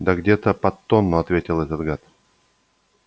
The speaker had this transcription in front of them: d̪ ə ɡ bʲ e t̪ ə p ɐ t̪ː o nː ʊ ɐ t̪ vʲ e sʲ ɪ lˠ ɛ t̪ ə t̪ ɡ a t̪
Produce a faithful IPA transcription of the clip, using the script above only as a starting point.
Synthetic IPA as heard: d̪ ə ɡ dʲ e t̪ ə p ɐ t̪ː o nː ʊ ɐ t̪ vʲ e tʲ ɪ lˠ ɛ t̪ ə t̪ ɡ a t̪